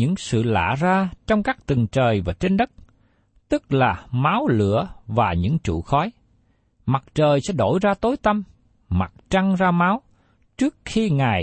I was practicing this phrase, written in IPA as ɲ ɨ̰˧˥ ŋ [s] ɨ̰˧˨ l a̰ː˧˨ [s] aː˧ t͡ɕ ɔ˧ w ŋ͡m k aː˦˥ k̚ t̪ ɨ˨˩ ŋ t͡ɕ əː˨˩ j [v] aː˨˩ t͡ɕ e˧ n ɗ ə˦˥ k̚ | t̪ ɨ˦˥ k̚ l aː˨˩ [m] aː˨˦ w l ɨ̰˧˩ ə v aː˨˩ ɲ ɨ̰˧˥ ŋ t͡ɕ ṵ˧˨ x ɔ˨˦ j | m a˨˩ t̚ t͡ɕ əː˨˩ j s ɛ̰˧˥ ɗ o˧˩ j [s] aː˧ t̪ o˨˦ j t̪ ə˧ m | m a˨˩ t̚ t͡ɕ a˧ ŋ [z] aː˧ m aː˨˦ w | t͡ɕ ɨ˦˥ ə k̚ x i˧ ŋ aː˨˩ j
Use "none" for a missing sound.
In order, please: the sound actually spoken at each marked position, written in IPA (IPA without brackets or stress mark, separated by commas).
s, z, v, m, z, z